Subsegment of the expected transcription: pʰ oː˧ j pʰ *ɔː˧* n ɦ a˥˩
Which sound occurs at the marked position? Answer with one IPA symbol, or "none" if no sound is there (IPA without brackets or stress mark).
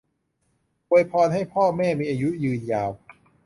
ɔː˧